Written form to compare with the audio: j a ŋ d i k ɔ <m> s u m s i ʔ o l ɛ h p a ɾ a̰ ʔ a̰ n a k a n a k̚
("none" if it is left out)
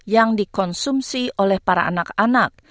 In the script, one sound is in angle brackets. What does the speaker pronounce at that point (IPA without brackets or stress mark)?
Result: n